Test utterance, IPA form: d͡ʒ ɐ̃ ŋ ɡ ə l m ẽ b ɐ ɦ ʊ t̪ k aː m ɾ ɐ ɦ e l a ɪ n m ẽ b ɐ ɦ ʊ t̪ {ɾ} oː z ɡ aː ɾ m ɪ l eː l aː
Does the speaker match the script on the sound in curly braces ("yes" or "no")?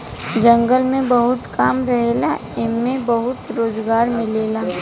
yes